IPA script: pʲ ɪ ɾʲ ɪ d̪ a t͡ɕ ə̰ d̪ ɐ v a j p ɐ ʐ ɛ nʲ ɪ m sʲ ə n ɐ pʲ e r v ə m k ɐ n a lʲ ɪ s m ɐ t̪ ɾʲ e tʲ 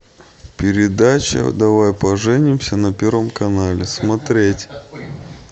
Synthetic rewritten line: pʲ ɪ ɾʲ ɪ d̪ a t͡ɕ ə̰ d̪ ɐ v a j p ɐ ʐ ɛ nʲ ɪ m sʲ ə n ɐ pʲ e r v ə m k ɐ n a lʲ ɪ s m ɐ t̪ ɾʲ e tʲ